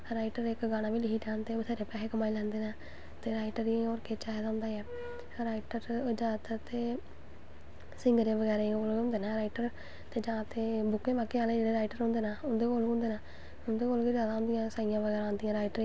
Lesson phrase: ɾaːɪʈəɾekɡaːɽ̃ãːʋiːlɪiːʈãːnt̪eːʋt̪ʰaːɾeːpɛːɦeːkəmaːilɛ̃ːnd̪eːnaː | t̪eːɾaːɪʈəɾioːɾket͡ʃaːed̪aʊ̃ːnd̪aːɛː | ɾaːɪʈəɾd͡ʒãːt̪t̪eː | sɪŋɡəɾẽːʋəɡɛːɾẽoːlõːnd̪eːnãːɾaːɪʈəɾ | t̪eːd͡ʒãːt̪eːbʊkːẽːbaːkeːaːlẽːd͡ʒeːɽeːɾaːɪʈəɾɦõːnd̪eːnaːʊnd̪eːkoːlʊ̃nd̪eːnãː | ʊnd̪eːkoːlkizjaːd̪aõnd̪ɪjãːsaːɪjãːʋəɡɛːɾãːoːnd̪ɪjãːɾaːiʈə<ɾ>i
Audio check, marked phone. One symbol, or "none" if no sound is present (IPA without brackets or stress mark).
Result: ɾ